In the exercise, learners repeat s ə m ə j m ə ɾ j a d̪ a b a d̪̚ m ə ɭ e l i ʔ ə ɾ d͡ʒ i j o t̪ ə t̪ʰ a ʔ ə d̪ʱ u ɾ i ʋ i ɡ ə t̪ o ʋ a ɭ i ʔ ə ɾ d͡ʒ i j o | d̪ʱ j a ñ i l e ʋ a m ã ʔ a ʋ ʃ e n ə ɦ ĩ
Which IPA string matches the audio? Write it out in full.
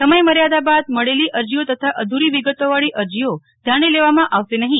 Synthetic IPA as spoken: s ə m ə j m ə ɾ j a d̪ a b a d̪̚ m ə ɭ e l i ʔ ə ɾ d͡ʒ i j o t̪ ə t̪ʰ a ʔ ə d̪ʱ u ɾ i ʋ i ɡ ə t̪ o ʋ a ɭ i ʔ ə ɾ d͡ʒ i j o | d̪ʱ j a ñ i l e ʋ a m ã ʔ a ʋ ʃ e n ə ɦ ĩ